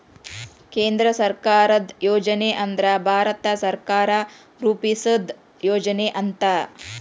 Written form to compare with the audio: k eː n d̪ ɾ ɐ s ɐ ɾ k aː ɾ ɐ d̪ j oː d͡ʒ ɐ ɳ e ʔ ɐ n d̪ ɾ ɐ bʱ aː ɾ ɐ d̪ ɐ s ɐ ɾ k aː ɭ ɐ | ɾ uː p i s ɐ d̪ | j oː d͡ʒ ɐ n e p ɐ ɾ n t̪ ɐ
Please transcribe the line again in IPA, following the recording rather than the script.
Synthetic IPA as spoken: k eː n d̪ ɾ ɐ s ɐ ɾ k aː ɾ ɐ d̪ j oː d͡ʒ ɐ n e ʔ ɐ n d̪ ɾ ɐ bʱ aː ɾ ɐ t̪ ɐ s ɐ ɾ k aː ɾ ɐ | ɾ uː p i s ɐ d̪ | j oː d͡ʒ ɐ n e ʔ ɐ n t̪ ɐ